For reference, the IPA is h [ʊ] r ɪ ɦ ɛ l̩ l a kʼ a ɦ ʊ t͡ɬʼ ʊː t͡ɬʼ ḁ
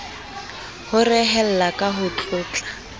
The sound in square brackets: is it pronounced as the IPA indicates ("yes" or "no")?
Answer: yes